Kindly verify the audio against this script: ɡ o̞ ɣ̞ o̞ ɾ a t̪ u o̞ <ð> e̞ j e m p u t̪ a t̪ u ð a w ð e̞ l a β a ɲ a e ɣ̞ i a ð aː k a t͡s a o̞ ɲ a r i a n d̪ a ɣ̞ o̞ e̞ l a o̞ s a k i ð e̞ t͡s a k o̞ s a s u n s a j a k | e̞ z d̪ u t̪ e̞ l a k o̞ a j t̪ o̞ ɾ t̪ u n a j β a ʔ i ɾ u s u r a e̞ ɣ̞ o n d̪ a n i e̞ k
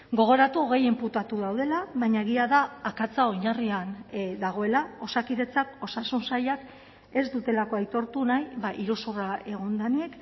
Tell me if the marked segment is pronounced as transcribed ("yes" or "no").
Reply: no